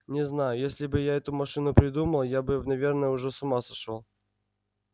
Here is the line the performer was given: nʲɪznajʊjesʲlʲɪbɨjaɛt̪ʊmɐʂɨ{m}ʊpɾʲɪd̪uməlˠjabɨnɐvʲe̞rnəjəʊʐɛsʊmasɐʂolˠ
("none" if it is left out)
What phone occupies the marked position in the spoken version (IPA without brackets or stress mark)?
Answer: n